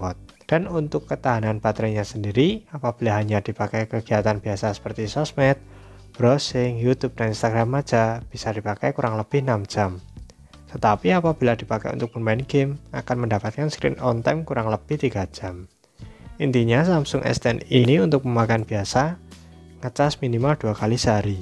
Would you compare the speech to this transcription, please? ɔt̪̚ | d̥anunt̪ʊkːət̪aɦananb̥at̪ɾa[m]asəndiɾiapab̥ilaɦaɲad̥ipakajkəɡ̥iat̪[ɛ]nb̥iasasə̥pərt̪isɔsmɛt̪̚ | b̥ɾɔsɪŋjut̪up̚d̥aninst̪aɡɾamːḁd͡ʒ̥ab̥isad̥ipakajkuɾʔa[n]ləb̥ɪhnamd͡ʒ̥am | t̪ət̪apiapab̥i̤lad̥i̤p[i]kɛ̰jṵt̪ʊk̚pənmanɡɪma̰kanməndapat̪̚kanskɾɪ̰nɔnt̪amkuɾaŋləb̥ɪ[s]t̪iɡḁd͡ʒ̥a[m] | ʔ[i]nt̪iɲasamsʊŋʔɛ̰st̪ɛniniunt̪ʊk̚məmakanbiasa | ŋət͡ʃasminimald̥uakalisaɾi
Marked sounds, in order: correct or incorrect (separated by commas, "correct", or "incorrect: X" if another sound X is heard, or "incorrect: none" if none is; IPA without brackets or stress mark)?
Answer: incorrect: ɲ, incorrect: a, incorrect: ŋ, incorrect: a, incorrect: h, correct, correct